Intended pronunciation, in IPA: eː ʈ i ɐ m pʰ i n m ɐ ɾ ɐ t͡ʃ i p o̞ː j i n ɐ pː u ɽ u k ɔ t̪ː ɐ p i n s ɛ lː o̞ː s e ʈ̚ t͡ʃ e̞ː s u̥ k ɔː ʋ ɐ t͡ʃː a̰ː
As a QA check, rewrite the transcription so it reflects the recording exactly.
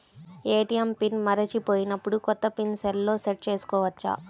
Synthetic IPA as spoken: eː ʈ i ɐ m p i n m ɐ ɾ ɐ t͡ʃ i p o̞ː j i n ɐ pː u ɽ u k ɔ t̪ː ɐ p i n s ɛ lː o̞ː s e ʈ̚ t͡ʃ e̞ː s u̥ k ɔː ʋ ɐ t͡ʃː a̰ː